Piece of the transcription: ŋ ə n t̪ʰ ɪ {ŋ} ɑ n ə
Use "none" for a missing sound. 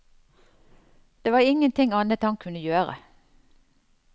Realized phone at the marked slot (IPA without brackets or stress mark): ŋ